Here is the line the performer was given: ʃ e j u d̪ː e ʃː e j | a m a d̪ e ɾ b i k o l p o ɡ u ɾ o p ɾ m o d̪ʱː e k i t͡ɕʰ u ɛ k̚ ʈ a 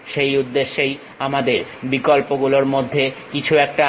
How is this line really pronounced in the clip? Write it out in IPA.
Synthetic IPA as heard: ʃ e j u d̪ː e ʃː e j | a m a d̪ e ɾ b i k o l p o ɡ u l o ɾ m o d̪ʱː e k i t͡ɕʰ u ɛ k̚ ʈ a